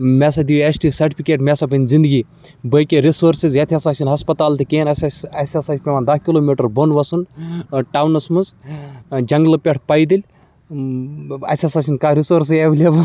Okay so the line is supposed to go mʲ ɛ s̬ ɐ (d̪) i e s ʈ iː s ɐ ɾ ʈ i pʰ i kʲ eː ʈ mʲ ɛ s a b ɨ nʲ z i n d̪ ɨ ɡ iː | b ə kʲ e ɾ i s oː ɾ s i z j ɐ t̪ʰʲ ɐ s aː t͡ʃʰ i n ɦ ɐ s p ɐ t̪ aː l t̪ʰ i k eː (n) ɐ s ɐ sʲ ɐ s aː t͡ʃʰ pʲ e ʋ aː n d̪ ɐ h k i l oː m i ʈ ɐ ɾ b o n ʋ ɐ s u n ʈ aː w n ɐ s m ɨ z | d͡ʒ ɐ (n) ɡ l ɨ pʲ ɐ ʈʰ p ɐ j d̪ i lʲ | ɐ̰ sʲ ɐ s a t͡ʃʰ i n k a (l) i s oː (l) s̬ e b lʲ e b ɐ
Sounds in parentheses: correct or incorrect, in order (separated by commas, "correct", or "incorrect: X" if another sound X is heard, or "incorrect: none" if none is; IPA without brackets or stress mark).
correct, correct, incorrect: ŋ, incorrect: ɾ, incorrect: ɾ